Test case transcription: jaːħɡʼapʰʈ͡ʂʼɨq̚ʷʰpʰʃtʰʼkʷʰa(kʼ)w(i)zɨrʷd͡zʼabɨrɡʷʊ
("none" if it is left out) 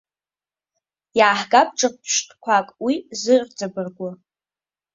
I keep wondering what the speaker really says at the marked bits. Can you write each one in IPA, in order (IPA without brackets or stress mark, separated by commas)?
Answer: kʼ, i